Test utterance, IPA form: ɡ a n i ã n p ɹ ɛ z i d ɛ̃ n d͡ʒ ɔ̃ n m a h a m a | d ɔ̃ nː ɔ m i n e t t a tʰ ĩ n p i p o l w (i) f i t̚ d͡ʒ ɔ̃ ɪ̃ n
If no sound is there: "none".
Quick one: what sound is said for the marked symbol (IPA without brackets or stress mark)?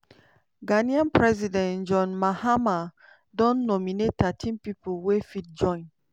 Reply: e